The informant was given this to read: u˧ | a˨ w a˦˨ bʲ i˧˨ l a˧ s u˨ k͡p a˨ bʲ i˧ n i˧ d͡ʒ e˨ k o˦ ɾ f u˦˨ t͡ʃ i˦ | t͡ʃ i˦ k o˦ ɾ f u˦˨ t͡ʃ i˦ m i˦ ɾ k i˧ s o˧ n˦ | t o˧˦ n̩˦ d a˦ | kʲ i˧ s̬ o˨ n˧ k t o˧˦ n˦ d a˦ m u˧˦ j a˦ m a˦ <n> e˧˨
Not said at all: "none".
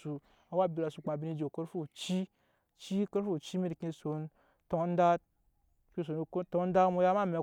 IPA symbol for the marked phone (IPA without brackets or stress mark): m